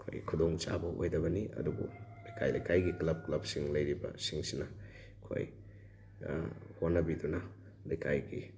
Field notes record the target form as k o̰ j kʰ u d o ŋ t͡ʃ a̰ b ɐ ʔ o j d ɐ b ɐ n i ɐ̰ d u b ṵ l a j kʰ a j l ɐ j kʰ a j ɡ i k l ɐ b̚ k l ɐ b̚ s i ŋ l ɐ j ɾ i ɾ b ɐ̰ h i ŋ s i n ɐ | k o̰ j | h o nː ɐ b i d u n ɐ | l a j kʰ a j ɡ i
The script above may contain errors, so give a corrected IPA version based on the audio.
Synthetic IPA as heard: kʰ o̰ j kʰ u d o ŋ t͡ʃ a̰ b ɐ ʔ o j d ɐ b ɐ n i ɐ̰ d u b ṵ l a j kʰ a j l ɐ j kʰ a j ɡ i k l ɐ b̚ k l ɐ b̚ s i ŋ l ɐ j ɾ i b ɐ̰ s i ŋ s i n ɐ | kʰ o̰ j | h o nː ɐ b i d u n ɐ | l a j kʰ a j ɡ i